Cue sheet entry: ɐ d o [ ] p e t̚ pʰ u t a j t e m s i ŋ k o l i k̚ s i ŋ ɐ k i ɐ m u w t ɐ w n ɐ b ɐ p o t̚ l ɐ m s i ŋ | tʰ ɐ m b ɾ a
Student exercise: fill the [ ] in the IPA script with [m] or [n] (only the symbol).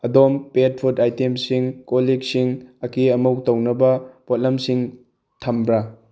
m